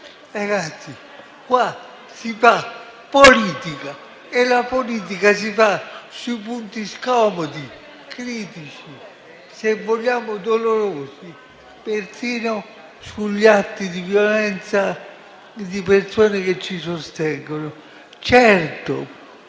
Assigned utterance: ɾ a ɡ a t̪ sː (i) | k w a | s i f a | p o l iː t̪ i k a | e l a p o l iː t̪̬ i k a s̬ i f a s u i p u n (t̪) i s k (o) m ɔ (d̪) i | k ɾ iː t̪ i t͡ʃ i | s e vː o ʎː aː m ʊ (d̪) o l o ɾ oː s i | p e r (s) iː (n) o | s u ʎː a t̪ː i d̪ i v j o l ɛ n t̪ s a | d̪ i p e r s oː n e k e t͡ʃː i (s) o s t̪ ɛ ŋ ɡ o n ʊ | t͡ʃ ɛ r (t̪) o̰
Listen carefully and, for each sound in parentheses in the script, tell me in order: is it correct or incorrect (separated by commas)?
correct, correct, incorrect, correct, correct, correct, correct, correct, correct